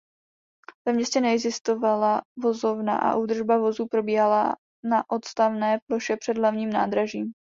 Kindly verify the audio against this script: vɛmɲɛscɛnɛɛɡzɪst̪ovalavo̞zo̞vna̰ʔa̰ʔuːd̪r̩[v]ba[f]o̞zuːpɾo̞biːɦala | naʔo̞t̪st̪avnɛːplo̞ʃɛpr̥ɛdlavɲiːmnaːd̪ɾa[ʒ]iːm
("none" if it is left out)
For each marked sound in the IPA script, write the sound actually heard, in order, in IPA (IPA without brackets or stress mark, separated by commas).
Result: ʒ, v, ʒ